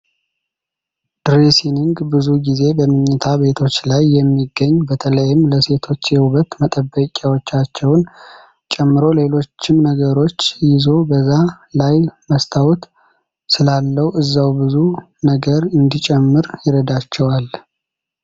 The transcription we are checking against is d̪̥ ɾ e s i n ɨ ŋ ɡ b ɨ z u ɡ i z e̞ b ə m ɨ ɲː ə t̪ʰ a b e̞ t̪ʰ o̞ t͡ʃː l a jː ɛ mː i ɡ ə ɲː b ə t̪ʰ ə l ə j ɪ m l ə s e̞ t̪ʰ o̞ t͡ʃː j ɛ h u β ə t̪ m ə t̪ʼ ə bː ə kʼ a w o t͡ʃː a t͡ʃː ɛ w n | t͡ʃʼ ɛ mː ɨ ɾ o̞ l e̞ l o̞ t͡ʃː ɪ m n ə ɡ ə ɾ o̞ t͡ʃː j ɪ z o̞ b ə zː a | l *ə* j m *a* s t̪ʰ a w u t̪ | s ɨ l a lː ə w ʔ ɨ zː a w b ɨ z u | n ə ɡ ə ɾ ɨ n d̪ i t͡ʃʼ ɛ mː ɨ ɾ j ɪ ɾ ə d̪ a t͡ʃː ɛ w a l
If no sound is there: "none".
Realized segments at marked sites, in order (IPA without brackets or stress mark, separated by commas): a, ə